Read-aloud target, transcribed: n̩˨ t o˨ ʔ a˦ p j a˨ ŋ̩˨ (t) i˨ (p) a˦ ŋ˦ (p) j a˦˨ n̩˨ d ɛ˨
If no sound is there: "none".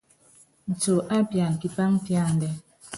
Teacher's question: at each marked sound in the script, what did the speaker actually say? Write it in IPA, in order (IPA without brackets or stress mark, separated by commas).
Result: k, p, p